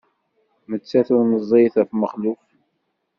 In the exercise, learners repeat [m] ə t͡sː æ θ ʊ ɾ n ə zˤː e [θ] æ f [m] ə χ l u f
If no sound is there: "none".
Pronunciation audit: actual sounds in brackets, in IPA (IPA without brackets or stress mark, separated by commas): m, θ, m